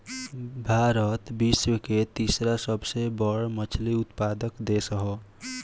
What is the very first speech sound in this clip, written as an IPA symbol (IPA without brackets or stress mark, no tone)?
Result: bʱ